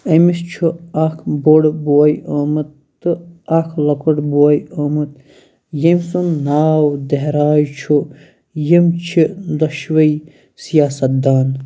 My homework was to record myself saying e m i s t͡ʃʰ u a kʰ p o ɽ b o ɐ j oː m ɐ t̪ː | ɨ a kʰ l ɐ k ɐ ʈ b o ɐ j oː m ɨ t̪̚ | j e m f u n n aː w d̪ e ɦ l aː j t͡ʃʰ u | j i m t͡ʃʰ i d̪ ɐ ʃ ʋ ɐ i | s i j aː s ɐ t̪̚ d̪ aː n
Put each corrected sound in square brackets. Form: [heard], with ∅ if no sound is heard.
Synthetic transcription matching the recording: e m i s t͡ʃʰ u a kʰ [b] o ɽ b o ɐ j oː m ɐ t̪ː | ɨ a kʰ l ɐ k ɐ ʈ b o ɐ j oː m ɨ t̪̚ | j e m [s] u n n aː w d̪ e ɦ [ɾ] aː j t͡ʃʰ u | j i m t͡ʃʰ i d̪ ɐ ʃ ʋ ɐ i | s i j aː s ɐ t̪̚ d̪ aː n

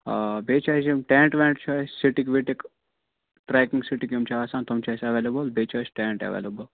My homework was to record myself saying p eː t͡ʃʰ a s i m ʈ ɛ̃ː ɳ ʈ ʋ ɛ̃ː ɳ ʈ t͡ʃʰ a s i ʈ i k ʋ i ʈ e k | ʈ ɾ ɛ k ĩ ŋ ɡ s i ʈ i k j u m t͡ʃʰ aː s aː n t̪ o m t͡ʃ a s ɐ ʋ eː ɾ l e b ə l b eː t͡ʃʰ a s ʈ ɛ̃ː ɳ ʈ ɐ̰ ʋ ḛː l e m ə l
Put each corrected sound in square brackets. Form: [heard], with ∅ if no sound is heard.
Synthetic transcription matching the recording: [b] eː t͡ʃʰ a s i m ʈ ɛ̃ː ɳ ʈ ʋ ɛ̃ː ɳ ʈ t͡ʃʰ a s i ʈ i k ʋ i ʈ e k | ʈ ɾ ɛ k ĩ ŋ ɡ s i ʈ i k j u m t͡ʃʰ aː s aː n t̪ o m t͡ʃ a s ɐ ʋ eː [∅] l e b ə l b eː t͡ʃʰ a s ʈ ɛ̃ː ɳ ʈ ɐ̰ ʋ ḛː l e [b] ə l

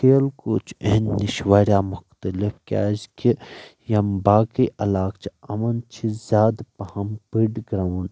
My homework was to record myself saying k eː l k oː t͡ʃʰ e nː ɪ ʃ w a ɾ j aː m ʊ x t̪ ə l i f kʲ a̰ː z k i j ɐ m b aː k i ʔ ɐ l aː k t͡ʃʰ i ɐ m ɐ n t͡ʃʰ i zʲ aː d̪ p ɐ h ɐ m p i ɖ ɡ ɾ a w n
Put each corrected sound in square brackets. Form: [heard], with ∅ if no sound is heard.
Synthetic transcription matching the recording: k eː l k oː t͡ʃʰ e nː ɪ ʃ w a ɾ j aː m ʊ x t̪ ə l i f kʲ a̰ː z k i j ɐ m b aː k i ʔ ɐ l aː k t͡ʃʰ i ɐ m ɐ n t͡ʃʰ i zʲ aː d̪ p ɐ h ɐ m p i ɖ ɡ ɾ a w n

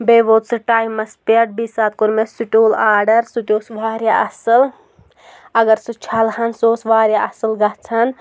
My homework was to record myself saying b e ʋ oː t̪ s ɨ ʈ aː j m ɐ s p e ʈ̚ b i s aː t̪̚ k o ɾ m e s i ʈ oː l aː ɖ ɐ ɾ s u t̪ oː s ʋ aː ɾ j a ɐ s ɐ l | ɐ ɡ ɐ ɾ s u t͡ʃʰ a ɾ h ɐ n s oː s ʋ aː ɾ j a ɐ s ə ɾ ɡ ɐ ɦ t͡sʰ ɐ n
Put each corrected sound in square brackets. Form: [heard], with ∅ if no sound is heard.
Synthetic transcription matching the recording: b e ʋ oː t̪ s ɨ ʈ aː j m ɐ s p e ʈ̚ b i s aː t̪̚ k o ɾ m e s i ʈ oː l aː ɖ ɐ ɾ s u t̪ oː s ʋ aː ɾ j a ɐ s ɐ l | ɐ ɡ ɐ ɾ s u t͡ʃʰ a [l] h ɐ n s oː s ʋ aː ɾ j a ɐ s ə [l] ɡ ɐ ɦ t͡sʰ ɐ n

